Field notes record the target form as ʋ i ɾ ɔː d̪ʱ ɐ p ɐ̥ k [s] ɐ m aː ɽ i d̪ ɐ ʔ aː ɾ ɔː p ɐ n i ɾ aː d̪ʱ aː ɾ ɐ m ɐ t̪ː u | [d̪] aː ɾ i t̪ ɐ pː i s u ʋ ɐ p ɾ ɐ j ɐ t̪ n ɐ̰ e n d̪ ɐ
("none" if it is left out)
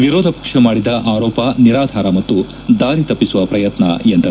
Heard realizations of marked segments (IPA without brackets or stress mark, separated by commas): ʂ, d̪